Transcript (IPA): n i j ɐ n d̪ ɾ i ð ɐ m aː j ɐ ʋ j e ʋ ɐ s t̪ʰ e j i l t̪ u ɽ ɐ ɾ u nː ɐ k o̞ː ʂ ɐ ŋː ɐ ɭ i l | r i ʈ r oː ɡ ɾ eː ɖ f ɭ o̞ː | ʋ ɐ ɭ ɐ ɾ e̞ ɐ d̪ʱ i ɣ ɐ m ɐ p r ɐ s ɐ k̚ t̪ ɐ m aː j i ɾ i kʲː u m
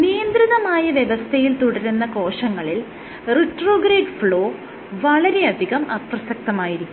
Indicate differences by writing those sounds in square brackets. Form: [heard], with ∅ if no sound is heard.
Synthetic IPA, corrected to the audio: n i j ɐ n d̪ ɾ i ð ɐ m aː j ɐ ʋ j e ʋ ɐ s t̪ʰ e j i l t̪ u ɽ ɐ ɾ u nː ɐ k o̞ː ʂ ɐ ŋː ɐ ɭ i l | r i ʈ r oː ɡ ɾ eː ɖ f ɭ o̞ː | ʋ ɐ ɭ ɐ ɾ e̞ ɐ d̪ʱ i ɣ ɐ m ɐ p r ɐ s ɐ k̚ t̪ ɐ m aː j i ɾ i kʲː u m